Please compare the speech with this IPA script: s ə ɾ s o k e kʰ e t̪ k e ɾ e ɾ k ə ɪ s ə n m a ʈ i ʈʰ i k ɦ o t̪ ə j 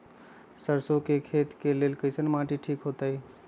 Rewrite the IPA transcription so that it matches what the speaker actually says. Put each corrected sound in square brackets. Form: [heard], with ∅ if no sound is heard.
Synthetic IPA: s ə ɾ s o k e kʰ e t̪ k e [l] e [l] k ə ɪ s ə n m a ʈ i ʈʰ i k ɦ o t̪ ə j